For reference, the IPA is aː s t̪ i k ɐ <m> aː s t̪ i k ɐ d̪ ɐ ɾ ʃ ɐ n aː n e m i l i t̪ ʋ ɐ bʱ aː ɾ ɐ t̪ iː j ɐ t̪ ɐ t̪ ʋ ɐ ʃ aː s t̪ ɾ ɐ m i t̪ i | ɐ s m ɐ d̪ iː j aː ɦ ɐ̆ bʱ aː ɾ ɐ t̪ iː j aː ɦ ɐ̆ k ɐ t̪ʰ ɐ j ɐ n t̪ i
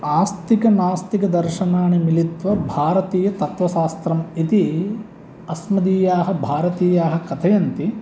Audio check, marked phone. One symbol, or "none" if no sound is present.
n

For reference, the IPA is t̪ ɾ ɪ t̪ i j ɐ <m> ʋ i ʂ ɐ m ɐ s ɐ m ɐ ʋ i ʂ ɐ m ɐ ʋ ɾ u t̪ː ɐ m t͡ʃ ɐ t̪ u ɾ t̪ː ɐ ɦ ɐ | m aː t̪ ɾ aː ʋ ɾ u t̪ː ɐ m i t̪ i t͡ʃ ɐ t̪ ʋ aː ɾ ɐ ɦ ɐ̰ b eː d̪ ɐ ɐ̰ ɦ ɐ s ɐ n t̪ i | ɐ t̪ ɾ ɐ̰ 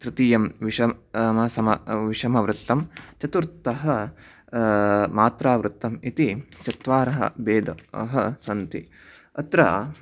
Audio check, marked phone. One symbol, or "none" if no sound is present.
m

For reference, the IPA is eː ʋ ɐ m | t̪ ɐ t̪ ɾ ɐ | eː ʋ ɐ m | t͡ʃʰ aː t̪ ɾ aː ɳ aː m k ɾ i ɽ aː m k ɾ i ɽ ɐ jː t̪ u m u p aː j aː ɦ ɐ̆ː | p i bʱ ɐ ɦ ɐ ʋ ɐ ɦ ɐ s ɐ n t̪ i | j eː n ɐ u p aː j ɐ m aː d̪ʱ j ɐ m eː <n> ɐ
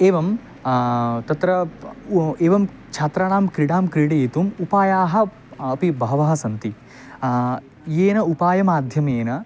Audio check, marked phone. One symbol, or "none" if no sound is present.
n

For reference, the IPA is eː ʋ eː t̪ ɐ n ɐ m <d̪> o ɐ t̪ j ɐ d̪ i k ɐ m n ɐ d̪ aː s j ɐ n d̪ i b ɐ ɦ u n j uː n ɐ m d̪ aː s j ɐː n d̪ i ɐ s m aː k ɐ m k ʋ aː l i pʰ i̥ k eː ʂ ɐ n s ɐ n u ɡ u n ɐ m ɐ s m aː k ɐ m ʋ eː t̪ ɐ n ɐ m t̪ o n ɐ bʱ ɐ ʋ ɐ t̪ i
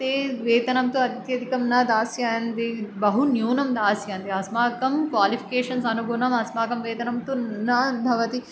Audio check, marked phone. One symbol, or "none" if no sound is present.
t̪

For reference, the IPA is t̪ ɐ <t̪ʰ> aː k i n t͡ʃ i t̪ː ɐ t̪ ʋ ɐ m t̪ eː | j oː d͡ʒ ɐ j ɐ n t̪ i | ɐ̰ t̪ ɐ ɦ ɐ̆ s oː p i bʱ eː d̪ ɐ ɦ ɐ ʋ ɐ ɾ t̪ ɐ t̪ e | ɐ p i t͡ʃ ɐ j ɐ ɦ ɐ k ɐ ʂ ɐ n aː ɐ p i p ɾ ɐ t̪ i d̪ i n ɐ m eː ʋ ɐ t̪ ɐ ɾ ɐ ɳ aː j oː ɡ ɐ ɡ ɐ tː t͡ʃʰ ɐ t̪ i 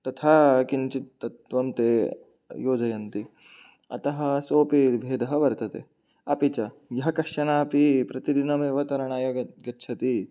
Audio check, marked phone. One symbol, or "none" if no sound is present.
t̪ʰ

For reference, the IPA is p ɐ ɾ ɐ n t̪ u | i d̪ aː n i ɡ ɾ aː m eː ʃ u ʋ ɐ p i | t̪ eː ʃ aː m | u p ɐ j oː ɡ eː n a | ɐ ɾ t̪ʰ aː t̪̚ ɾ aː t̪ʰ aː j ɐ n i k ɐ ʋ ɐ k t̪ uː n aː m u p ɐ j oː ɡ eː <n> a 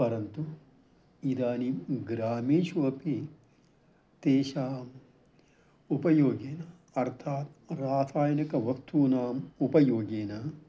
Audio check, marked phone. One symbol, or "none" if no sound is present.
n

